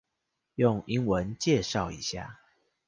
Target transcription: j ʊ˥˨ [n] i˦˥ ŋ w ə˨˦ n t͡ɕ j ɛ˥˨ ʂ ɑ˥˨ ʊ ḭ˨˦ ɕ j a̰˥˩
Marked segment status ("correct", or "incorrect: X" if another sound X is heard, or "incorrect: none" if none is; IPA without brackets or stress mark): incorrect: ŋ